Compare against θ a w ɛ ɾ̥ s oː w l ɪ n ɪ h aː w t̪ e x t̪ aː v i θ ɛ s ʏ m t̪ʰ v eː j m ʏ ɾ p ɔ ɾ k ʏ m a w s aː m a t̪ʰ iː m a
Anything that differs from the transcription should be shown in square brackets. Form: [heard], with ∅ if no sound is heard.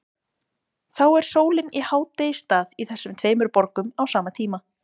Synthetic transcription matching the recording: θ a w ɛ ɾ̥ s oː w l ɪ n [i] h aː w t̪ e [s] t̪ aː [ð] i θ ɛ [sː] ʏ m t̪ʰ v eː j m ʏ ɾ p ɔ ɾ k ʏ m a w s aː m a t̪ʰ iː m a